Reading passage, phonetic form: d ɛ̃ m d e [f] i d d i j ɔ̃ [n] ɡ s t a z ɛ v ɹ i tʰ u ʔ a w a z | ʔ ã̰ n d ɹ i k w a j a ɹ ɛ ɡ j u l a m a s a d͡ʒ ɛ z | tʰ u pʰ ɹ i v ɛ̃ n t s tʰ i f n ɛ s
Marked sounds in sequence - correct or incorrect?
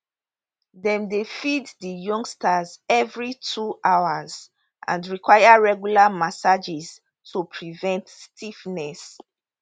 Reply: correct, incorrect: ŋ

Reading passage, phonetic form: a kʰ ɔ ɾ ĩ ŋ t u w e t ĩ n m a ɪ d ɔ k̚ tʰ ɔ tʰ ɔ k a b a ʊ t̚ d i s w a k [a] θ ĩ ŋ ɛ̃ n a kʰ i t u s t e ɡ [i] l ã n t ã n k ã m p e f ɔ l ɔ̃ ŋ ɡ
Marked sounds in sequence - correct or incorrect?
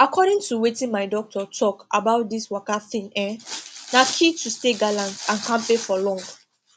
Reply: correct, incorrect: a

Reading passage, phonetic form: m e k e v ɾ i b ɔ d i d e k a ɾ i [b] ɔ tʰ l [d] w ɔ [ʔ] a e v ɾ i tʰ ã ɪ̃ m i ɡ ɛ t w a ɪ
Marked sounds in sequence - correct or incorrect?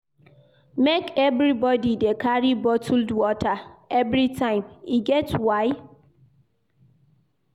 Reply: correct, correct, incorrect: t

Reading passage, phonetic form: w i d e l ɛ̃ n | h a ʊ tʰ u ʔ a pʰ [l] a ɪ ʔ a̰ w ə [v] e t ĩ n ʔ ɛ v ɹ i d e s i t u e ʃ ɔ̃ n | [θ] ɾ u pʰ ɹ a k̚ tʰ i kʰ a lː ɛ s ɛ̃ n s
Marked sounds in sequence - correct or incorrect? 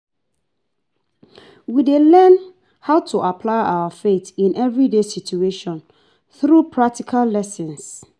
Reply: correct, incorrect: f, correct

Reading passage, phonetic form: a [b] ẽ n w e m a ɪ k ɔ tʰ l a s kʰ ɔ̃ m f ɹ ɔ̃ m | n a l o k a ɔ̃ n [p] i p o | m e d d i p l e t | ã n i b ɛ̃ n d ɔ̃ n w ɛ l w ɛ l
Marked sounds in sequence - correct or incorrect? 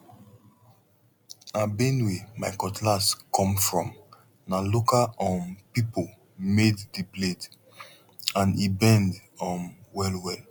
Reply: correct, correct

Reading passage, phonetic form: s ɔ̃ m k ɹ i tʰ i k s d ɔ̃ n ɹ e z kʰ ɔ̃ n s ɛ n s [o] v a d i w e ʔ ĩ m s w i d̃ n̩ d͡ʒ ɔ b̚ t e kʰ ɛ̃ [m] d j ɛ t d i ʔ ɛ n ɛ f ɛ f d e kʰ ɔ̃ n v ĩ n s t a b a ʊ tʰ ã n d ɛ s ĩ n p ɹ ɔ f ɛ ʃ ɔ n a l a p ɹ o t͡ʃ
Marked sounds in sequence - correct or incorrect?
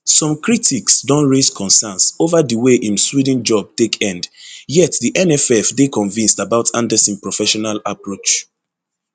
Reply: correct, incorrect: n

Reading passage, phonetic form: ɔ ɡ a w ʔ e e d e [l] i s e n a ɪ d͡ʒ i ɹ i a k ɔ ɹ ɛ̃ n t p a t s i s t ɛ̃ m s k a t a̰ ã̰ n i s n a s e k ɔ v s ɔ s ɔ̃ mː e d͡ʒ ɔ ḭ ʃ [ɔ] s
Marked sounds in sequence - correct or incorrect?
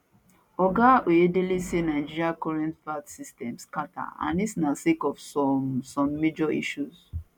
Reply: correct, incorrect: u

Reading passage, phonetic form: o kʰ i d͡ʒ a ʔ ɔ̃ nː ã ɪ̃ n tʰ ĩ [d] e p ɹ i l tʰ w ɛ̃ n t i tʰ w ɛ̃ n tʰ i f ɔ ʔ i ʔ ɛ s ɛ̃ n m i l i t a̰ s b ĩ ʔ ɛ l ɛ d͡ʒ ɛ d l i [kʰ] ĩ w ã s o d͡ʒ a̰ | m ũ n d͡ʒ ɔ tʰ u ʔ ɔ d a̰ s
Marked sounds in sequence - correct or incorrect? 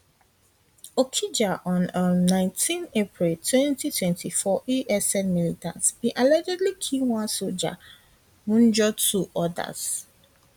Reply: incorrect: n, correct

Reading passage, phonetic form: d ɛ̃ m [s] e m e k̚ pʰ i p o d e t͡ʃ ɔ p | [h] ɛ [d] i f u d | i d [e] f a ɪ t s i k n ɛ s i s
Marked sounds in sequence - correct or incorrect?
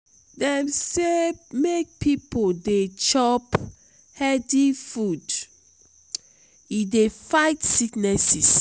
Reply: correct, correct, correct, correct

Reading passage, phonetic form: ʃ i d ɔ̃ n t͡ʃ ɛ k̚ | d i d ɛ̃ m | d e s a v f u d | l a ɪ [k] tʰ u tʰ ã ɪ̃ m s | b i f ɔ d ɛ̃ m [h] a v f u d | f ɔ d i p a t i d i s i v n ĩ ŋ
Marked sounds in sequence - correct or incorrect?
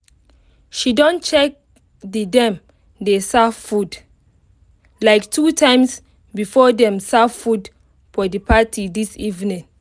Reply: correct, incorrect: s

